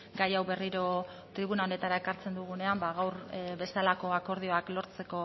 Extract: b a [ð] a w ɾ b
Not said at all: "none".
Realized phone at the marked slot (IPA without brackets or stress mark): ɣ